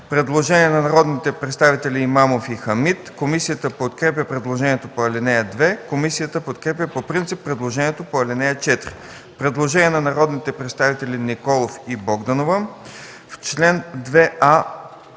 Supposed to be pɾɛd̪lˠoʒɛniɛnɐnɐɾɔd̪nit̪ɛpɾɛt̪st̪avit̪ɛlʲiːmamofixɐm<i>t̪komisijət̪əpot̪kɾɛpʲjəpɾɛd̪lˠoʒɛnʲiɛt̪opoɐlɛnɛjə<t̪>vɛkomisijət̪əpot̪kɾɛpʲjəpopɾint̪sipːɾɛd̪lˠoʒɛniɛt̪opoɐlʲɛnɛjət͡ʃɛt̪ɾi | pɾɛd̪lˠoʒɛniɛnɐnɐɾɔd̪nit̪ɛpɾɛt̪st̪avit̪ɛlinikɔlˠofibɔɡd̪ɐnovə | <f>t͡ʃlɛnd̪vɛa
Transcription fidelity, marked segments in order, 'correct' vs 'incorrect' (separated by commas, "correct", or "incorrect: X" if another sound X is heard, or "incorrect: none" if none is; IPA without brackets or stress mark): correct, incorrect: d̪, correct